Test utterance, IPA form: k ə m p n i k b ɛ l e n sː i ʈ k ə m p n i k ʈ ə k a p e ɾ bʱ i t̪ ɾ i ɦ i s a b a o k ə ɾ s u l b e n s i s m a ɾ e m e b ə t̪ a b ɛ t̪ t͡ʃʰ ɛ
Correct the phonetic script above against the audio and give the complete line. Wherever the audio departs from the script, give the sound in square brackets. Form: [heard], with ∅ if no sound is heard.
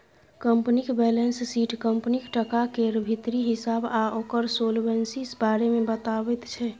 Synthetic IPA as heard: k ə m p n i k b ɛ l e n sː i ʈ k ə m p n i k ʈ ə k a [k] e ɾ bʱ i t̪ ɾ i ɦ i s a b a o k ə ɾ s [o] l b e n s i s [b] a ɾ e m e b ə t̪ a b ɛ t̪ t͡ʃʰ ɛ